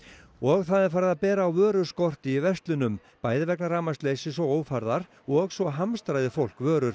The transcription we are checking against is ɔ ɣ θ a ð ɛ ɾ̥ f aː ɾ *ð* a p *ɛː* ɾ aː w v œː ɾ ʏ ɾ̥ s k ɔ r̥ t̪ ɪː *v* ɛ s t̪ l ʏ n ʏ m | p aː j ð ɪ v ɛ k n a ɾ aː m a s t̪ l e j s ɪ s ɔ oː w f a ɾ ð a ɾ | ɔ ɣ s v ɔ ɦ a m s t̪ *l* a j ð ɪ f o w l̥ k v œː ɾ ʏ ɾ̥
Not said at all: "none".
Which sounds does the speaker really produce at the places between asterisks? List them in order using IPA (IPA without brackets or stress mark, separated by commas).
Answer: ð, ɛː, v, ɾ